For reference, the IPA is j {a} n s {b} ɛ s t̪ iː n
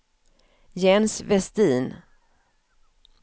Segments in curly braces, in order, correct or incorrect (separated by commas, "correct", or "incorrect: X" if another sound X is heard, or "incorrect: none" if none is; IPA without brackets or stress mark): incorrect: ɛ, incorrect: v